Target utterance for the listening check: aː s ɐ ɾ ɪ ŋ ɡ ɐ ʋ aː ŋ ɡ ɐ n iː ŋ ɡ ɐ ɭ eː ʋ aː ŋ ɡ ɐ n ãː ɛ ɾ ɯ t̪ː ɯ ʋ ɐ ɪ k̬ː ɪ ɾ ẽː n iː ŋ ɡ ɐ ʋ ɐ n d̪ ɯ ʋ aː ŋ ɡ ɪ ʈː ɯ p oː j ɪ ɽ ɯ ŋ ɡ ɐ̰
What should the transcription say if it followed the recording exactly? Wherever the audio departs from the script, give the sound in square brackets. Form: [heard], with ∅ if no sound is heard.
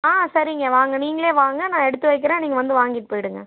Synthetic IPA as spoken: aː s ɐ ɾ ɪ ŋ ɡ ɐ ʋ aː ŋ ɡ ɐ n iː ŋ ɡ ɐ ɭ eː ʋ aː ŋ ɡ ɐ n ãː ɛ [ɽ] ɯ t̪ː ɯ ʋ ɐ ɪ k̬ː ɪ ɾ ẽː n iː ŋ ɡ ɐ ʋ ɐ n d̪ ɯ ʋ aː ŋ ɡ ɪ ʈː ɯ p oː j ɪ ɽ ɯ ŋ ɡ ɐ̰